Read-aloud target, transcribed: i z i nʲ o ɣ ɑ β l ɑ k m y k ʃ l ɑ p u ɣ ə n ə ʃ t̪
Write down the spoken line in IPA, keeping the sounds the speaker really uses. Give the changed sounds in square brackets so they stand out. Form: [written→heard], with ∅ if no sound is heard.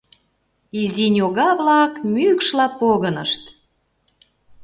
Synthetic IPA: i z i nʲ o ɣ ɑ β l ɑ k m y k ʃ l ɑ p [u→o] ɣ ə n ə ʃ t̪